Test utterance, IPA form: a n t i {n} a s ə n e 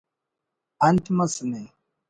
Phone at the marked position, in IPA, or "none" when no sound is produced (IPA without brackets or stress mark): m